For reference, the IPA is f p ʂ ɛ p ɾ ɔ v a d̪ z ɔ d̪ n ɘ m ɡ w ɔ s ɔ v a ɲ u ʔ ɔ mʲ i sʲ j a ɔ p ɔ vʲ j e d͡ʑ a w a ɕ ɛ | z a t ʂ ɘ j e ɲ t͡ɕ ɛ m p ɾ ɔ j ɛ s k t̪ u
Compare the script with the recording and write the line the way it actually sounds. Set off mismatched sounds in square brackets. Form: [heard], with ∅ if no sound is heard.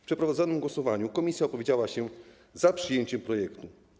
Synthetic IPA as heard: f p ʂ ɛ p ɾ ɔ v a d̪ z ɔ [∅] n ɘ m ɡ w ɔ s ɔ v a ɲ u [k] ɔ mʲ i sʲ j a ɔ p ɔ vʲ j e d͡ʑ a w a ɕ ɛ | z a [p] ʂ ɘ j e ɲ t͡ɕ ɛ m p ɾ ɔ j ɛ [∅] k t̪ u